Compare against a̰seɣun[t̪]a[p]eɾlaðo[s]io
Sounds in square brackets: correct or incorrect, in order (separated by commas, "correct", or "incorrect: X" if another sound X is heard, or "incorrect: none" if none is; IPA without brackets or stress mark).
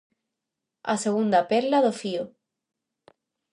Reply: incorrect: d̪, correct, incorrect: f